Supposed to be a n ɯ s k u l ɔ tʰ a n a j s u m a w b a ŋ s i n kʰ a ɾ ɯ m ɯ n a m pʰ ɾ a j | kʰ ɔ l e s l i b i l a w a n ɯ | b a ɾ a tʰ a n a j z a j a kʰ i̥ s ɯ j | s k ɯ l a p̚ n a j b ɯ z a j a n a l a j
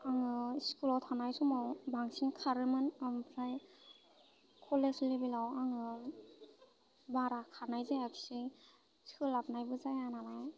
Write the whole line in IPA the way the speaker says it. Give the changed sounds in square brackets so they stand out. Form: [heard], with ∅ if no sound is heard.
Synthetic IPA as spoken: a [ŋ] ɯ s k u l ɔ tʰ a n a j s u m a w b a ŋ s i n kʰ a ɾ ɯ m ɯ n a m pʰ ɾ a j | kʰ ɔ l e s l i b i l a w a [ŋ] ɯ | b a ɾ a [kʰ] a n a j z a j a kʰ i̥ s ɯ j | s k ɯ l a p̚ n a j b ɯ z a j a n a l a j